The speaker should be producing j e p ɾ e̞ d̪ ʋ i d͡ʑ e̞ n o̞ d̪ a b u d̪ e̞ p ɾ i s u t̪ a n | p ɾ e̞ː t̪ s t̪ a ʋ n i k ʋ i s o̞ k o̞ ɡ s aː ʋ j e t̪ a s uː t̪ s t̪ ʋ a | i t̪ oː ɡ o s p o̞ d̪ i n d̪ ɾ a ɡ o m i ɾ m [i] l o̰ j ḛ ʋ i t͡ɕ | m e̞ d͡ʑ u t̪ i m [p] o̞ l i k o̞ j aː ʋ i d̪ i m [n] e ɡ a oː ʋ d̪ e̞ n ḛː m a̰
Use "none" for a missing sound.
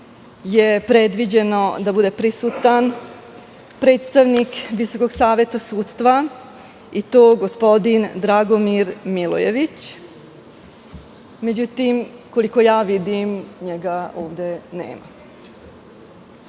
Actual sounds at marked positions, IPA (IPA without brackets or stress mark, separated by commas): i, k, ɲ